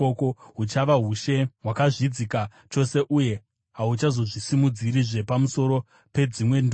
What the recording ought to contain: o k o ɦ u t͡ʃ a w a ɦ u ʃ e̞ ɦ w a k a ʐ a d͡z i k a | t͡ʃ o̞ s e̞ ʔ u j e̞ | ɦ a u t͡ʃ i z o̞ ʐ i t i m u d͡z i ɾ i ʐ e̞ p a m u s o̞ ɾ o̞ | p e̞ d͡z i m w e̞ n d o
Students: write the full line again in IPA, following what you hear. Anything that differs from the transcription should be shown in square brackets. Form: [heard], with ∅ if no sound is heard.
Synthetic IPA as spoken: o k o ɦ u t͡ʃ a [ʋ] a ɦ u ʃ e̞ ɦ w a k a ʐ [i] d͡z i k a | t͡ʃ o̞ s e̞ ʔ u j e̞ | ɦ a u t͡ʃ [a] z o̞ ʐ i [s] i m u d͡z i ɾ i ʐ e̞ p a m u s o̞ ɾ o̞ | p e̞ d͡z i m w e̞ n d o